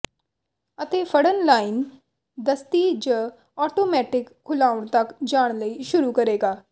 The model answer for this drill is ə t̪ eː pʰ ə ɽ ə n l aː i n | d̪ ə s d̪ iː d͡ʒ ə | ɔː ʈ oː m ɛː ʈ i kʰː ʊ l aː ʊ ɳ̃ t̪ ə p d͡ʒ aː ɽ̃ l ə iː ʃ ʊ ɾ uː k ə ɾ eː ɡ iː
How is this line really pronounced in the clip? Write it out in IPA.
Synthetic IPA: ə t̪ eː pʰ ə ɽ ə n l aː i n | d̪ ə s t̪ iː d͡ʒ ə | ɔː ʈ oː m ɛː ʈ ɪ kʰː ʊ l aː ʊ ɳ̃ t̪ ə k d͡ʒ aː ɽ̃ l ə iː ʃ ʊ ɾ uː k ə ɾ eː ɡ aː